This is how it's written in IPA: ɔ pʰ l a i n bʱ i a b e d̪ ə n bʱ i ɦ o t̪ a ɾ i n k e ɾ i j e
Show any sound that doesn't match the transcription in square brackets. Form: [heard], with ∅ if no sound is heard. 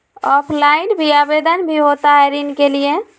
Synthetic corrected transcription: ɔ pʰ l a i n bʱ i a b e d̪ ə n bʱ i ɦ o t̪ a ɾ i n k e [l] i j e